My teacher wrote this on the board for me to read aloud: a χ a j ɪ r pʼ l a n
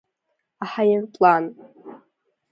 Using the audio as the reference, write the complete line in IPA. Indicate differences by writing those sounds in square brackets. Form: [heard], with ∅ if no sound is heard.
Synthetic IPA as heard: a [ħ] a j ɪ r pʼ l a n

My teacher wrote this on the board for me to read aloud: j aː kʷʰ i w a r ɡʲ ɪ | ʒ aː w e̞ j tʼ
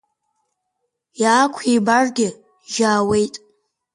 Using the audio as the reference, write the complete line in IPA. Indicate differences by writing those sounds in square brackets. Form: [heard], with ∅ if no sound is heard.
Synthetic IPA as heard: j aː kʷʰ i [b] a r ɡʲ ɪ | ʒ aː w e̞ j tʼ

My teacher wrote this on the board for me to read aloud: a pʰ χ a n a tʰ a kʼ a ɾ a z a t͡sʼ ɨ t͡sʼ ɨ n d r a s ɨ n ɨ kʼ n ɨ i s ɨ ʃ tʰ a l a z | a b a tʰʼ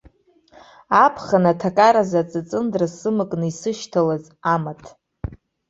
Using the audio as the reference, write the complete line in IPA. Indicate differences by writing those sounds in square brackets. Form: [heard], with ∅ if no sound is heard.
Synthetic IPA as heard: a pʰ χ a n a tʰ a kʼ a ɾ a z a t͡sʼ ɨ t͡sʼ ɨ n d r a s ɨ [m] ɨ kʼ n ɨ i s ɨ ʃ tʰ a l a z | a [m] a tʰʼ

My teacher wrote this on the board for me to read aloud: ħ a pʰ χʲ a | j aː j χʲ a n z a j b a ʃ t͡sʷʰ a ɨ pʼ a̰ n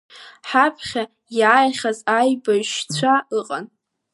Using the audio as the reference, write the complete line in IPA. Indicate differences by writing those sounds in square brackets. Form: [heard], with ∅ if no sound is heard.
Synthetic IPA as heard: ħ a pʰ χʲ a | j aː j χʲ a [∅] z a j b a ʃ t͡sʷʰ a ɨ [qʼ] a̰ n

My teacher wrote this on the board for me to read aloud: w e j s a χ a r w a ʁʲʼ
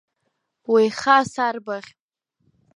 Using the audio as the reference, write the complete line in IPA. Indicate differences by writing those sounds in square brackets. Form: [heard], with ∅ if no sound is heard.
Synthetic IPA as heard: w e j [χ] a [s] a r [b] a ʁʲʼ

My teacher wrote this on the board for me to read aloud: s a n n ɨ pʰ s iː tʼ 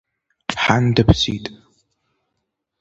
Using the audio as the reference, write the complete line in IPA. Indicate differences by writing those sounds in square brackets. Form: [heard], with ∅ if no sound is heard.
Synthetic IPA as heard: [ħ] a n [d] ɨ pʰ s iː tʼ

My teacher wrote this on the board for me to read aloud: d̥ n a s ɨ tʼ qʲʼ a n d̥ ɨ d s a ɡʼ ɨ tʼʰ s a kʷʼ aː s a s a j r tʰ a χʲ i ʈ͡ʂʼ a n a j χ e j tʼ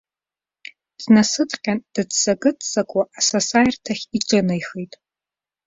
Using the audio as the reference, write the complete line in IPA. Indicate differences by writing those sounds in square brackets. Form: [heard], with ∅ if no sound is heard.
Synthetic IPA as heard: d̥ n a s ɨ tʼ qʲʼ a n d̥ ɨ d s a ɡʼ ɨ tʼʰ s a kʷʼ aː s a s a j r tʰ a χʲ i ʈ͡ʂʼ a n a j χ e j tʼ

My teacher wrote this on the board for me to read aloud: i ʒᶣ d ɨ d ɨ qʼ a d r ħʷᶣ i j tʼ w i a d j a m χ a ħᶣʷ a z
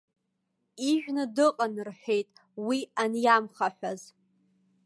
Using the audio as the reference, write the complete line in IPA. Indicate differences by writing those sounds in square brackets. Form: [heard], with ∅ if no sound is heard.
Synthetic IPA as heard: i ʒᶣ [n] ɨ d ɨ qʼ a [n] r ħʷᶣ [e] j tʼ w i a [n] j a m χ a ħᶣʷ a z

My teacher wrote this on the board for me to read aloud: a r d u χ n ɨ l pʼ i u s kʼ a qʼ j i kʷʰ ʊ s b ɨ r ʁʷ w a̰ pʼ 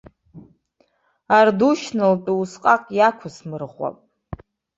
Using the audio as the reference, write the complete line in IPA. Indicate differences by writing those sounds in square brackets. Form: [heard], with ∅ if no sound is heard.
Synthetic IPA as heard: a r d u [ʃ] n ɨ l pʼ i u s [qʼ] a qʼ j [a] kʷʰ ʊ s [m] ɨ r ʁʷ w a̰ pʼ

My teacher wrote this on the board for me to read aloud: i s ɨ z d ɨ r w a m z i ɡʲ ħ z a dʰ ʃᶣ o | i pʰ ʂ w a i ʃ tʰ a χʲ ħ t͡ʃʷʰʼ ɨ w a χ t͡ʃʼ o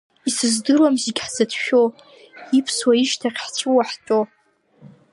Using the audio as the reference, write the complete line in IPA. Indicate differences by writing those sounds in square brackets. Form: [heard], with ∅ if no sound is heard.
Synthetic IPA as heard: i s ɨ z d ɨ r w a m z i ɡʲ ħ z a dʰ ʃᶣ o | i pʰ [s] w a i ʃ tʰ a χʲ ħ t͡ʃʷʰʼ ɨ w a [ħ] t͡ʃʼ o

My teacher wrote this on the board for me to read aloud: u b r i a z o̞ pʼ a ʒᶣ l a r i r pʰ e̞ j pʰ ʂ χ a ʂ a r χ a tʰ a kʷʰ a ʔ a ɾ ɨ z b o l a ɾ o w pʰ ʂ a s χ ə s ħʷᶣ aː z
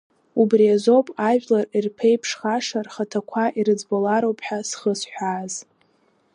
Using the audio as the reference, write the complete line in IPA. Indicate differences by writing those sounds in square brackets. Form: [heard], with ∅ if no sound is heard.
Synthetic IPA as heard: u b r i a z o̞ pʼ a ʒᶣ l a r i r pʰ e̞ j pʰ ʂ χ a ʂ a r χ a tʰ a kʷʰ a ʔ [i] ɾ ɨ [d͡z] b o l a ɾ o w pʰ [ħ] a s χ ə s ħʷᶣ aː z

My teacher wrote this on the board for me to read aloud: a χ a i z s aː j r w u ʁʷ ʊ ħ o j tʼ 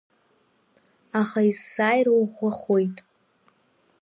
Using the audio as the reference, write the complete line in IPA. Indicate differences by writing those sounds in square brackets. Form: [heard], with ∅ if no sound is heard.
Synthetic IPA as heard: a χ a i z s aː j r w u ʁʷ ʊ [χ] o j tʼ

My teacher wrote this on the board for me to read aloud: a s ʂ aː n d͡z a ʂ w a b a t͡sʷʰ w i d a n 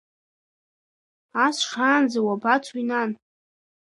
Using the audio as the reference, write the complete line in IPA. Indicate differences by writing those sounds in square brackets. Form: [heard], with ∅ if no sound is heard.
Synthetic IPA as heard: a s ʂ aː n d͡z a [∅] w a b a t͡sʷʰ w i [n] a n

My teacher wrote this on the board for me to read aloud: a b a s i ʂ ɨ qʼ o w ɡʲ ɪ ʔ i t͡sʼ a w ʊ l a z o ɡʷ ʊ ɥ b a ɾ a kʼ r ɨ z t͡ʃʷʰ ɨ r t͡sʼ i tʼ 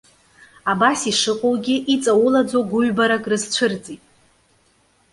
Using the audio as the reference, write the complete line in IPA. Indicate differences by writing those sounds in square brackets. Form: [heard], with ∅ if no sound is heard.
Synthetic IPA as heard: a b a s i ʂ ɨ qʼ o w ɡʲ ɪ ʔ i t͡sʼ a w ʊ l a [d͡z] o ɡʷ ʊ ɥ b a ɾ a kʼ r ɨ z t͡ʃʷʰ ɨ r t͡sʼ i tʼ

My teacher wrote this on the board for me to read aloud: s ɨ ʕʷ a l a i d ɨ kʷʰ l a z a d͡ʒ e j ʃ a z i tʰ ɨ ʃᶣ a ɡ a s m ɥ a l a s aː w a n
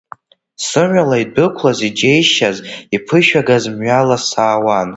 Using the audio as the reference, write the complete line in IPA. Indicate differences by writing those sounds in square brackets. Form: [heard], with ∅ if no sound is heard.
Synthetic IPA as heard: s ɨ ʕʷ a l a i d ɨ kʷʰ l a z [i] d͡ʒ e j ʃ a z i [pʰ] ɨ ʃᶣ a ɡ a [z] m ɥ a l a s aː w a n

